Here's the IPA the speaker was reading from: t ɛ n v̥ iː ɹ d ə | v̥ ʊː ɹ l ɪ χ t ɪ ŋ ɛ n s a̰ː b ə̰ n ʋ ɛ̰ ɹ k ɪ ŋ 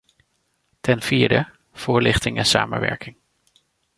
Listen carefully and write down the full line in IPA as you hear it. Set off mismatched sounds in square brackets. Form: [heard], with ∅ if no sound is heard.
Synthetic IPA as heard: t ɛ n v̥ iː ɹ d ə | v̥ ʊː ɹ l ɪ χ t ɪ ŋ ɛ n s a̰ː [m] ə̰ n ʋ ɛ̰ ɹ k ɪ ŋ